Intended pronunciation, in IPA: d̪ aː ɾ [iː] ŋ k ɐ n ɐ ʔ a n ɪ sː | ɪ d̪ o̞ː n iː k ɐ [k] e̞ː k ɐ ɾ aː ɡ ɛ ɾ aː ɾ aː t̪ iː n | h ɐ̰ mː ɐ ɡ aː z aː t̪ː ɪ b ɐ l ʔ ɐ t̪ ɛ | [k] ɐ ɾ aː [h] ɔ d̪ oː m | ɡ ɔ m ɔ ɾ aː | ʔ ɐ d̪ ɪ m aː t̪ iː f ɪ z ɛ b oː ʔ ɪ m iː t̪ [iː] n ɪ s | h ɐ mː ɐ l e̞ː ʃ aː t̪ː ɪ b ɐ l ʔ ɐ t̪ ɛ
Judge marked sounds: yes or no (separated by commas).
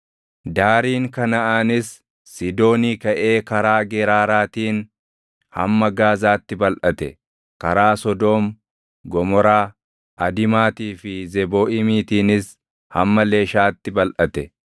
yes, no, yes, no, yes